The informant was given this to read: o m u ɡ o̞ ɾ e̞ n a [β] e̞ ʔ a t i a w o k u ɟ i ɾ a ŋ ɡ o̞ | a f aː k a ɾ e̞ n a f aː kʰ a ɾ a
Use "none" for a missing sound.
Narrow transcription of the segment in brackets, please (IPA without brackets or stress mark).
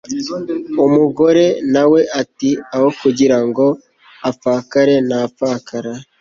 w